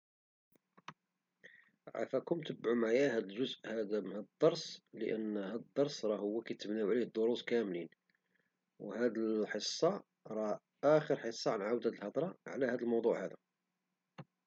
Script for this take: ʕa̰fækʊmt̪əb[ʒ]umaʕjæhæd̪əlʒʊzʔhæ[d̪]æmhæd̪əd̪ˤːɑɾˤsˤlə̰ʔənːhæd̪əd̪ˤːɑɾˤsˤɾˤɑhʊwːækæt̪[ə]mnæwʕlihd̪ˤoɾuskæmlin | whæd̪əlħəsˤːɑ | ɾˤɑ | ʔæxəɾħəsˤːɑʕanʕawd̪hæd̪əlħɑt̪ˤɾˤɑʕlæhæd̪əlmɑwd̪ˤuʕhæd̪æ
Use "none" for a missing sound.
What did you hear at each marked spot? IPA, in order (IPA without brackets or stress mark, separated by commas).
ʕ, d̪, ə